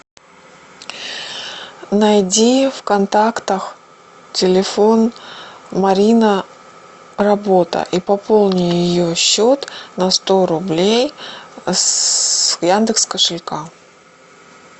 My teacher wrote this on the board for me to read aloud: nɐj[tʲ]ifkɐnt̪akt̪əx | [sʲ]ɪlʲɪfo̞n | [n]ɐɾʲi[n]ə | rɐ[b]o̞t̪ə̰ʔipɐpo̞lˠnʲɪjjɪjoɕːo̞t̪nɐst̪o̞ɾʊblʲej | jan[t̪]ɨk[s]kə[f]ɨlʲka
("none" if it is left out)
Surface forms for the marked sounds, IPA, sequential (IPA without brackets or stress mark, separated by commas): dʲ, tʲ, m, n, b, d̪, s, ʂ